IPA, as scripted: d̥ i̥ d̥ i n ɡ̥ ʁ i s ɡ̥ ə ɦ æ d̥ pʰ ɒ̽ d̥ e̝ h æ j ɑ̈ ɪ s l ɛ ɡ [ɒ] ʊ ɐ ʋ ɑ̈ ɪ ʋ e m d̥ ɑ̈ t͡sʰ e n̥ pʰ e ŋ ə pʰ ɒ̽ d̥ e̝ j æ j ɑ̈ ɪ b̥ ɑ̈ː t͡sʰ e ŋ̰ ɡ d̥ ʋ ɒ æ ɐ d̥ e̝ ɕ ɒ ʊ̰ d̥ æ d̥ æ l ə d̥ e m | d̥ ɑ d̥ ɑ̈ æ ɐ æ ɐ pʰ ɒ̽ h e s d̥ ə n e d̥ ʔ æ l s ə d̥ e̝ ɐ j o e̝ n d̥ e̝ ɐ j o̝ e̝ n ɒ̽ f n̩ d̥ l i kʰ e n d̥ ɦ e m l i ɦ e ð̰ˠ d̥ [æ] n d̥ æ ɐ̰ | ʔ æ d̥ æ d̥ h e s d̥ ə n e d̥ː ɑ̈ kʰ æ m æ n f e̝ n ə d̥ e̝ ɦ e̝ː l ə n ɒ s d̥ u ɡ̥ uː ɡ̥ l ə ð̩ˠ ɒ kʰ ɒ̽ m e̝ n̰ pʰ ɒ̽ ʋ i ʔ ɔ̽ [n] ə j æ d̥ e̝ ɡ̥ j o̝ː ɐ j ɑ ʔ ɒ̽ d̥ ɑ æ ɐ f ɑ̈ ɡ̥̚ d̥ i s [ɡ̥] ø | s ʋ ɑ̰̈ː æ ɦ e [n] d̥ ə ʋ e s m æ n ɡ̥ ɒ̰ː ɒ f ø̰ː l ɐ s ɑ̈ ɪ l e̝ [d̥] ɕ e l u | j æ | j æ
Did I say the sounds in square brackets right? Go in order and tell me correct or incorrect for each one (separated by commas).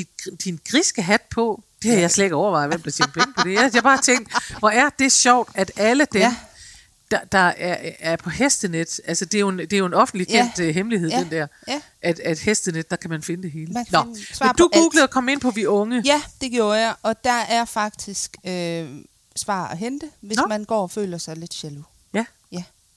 correct, incorrect, incorrect, correct, correct, correct